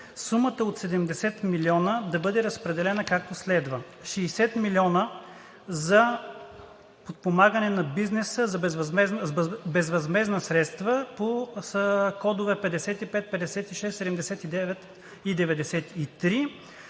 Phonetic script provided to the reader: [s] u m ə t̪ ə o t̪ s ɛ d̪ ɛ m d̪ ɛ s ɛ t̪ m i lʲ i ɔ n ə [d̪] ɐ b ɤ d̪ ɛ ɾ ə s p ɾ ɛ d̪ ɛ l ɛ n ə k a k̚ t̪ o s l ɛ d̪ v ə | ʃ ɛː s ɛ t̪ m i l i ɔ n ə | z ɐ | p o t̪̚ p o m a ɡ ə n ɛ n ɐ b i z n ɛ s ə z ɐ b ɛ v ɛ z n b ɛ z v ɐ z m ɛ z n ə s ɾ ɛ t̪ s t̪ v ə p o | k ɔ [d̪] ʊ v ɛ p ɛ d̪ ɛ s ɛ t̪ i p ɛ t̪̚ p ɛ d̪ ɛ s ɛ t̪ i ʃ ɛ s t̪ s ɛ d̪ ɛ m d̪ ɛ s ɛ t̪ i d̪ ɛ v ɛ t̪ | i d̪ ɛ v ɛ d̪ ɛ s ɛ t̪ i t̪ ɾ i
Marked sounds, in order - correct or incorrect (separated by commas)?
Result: correct, correct, correct